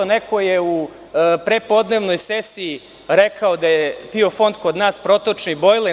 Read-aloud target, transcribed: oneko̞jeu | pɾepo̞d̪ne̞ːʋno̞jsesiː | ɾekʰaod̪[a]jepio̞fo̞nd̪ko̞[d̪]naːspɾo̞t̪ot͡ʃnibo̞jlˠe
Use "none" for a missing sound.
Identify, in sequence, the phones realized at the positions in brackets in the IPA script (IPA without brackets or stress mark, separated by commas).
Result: a, d̪